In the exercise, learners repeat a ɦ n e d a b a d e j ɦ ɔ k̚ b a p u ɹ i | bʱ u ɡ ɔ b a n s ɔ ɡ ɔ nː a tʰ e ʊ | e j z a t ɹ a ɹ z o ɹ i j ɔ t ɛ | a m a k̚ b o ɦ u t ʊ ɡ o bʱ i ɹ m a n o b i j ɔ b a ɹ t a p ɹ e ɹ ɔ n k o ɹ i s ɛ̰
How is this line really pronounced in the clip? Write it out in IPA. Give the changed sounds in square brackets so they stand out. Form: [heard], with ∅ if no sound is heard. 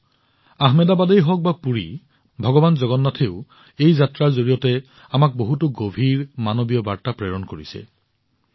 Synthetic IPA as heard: a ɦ [m] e d a b a d e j ɦ ɔ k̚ b a p u ɹ i | bʱ [ɔ] ɡ ɔ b a n [z] ɔ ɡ ɔ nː a tʰ e ʊ | e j z a t ɹ a ɹ z o ɹ i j ɔ t ɛ | a m a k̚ b o ɦ u t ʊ ɡ o bʱ i ɹ m a n o b i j ɔ b a ɹ t a p ɹ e ɹ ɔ n k o ɹ i s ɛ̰